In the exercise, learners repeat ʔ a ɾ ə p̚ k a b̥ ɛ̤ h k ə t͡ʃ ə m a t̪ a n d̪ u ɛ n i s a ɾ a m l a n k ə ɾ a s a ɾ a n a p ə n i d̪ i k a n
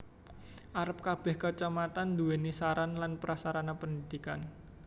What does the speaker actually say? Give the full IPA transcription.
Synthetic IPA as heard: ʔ a ɾ ə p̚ k a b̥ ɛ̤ h k ə t͡ʃ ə m a t̪ a n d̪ u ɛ n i s a ɾ a n l a n p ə ɾ a s a ɾ a n a p ə n i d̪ i k a n